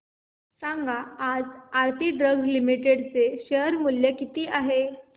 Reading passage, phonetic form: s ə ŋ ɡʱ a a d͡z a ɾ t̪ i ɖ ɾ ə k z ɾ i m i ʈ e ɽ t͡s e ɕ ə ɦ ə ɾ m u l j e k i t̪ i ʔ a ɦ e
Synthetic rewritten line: s a ŋ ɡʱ a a d͡z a ɾ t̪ i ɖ ɾ ə ɡ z l i m i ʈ e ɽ t͡s e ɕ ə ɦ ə ɾ m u l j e k i t̪ iː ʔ a ɦ e

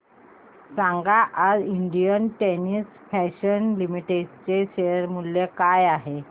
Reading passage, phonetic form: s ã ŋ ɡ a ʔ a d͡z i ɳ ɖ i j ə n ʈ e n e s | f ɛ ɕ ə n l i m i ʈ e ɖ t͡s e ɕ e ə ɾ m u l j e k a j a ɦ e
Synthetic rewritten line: s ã ŋ ɡ a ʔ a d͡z i ɳ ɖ i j ə n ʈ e n i s | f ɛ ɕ ə n l i m i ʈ e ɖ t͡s e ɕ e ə ɾ m u l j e k a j a ɦ e

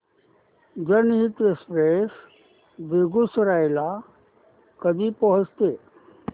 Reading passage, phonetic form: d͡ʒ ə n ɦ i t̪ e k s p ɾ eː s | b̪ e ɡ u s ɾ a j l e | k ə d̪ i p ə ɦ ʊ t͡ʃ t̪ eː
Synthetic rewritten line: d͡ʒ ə n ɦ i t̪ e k s p ɾ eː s | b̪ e ɡ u s ɾ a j l a | k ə d̪ i p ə ɦ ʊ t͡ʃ t̪ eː

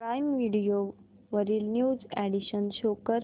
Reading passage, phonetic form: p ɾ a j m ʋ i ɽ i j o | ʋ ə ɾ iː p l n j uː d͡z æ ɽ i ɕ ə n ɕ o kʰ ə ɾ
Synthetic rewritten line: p ɾ a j m ʋ i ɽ i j o | ʋ ə ɾ iː l n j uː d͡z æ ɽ i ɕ ə n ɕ o k ə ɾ

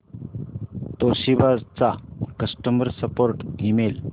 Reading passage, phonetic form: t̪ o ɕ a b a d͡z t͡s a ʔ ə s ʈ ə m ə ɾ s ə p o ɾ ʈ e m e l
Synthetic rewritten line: t̪ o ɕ i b a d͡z t͡s a k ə s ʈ ə m ə ɾ s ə p o ɾ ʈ i m e l

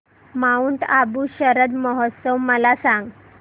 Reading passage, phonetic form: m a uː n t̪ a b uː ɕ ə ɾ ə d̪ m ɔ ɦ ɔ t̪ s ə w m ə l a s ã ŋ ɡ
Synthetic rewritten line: m a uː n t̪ a b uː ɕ ə ɾ ə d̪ m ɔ ɦ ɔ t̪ s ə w m ə l a s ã ŋ ɡ

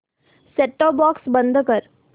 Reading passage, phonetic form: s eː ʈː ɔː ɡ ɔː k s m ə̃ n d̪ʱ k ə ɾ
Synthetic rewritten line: s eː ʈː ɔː b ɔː k s b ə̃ n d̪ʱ k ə ɾ

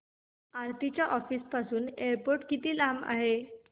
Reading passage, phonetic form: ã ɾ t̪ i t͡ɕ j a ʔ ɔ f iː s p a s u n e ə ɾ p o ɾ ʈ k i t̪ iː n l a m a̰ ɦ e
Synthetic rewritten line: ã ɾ t̪ i t͡ɕ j a ʔ ɔ f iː s p a s uː n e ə ɾ p o ɾ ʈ k i t̪ iː l a m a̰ ɦ e

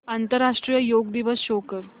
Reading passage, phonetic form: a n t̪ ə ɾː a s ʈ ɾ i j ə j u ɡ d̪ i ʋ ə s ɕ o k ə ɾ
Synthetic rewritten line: a n t̪ ə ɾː a ʂ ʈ ɾ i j ə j o ɡ d̪ i ʋ ə s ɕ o k ə ɾ

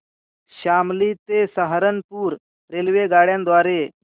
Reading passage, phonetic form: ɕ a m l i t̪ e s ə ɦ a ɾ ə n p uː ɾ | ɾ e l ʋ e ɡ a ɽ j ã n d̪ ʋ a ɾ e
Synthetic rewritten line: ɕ a m l i t̪ e s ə ɦ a ɾ ə n p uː ɾ | ɾ e l ʋ e ɡ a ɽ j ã n d̪ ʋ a ɾ e

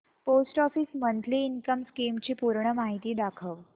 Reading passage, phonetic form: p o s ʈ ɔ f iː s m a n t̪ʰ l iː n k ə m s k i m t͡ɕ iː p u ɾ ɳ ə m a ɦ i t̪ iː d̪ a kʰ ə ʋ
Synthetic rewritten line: p o s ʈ ɔ f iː s m ə n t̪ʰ l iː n k ə m s k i m t͡ɕ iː p u ɾ ɳ ə m a ɦ i t̪ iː d̪ a kʰ ə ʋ

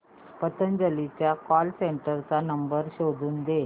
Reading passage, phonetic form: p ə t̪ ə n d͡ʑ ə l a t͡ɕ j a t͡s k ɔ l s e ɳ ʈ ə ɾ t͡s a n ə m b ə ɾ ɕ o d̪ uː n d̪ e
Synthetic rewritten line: p ə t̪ ə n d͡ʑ ə l i t͡ɕ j a k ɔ l s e ɳ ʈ ə ɾ t͡s a n ə m b ə ɾ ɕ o d̪ uː n d̪ e

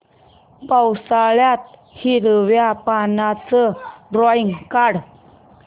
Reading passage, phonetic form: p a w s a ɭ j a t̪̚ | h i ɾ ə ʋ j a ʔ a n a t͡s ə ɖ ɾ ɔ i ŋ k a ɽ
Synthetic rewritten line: p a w s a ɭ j a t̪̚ | h i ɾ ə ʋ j a p a n a t͡s ə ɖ ɾ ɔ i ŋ k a ɽ

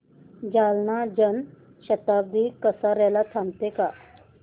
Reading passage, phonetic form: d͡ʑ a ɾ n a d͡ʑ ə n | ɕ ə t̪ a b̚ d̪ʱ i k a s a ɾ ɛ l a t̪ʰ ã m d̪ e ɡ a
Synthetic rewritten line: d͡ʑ a l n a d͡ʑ ə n | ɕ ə t̪ a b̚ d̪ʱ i k ə s a ɾ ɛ l a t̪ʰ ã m t̪ e k a

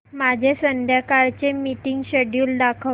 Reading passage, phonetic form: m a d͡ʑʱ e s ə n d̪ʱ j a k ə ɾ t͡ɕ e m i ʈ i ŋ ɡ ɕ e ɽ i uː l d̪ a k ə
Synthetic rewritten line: m a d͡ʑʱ e s ə n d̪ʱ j a k a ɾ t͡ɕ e m i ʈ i ŋ ɡ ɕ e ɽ j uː l d̪ a kʰ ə

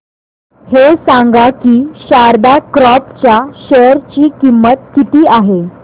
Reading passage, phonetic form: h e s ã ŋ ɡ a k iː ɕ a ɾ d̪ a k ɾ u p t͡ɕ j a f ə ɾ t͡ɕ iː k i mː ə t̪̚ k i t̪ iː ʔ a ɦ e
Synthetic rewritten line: h e s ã ŋ ɡ a k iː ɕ a ɾ d̪ a k ɾ ɔ p t͡ɕ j a ɕ ə ɾ t͡ɕ iː k i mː ə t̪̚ k i t̪ iː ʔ a ɦ e

